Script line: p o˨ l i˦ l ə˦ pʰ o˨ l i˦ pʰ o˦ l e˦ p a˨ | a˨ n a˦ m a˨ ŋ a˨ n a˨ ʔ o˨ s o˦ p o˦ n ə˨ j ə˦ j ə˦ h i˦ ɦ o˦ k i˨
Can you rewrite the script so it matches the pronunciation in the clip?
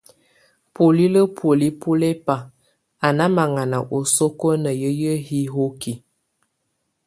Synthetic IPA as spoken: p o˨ l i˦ l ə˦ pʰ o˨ l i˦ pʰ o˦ l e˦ p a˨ | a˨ n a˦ m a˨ ŋ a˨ n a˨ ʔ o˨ s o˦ k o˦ n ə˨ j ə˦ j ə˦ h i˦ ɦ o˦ k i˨